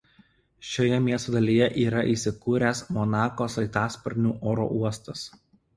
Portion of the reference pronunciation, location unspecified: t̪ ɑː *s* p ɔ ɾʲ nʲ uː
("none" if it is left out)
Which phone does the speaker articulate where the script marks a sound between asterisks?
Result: s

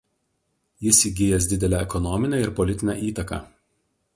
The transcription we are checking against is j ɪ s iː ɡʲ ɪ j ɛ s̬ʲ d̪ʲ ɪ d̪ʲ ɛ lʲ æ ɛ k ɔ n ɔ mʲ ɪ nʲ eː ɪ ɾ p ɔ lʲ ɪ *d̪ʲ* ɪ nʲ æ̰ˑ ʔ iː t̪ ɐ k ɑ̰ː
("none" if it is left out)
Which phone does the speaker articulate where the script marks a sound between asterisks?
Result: t̪ʲ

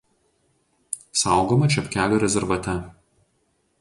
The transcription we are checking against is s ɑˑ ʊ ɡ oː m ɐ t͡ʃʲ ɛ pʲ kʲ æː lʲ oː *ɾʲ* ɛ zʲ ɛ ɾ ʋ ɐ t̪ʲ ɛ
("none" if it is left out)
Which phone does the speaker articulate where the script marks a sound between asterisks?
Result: ɾʲ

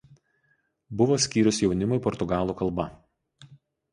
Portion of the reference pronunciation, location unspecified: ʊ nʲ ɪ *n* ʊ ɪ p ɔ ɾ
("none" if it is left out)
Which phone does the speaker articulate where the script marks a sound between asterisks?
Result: m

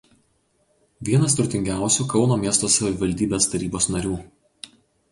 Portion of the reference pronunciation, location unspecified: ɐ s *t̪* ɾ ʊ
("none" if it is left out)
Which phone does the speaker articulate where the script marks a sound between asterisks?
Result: t̪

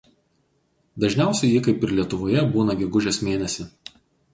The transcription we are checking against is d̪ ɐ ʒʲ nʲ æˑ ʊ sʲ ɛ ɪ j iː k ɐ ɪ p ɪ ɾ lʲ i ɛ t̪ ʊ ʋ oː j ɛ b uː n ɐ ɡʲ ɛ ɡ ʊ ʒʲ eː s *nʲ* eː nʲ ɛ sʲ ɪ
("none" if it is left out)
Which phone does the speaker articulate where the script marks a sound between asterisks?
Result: mʲ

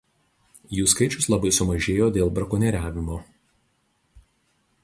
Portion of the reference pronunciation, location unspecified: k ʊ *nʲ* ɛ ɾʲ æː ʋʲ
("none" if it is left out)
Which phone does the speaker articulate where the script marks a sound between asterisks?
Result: nʲ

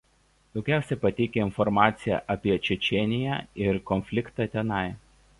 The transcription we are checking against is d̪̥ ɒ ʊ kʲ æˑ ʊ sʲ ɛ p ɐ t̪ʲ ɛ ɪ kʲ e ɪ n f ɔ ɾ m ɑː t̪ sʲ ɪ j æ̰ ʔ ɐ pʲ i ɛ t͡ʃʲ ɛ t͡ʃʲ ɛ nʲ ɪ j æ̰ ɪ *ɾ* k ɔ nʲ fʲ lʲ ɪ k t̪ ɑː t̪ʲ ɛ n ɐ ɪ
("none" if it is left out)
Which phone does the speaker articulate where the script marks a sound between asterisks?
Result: ɾ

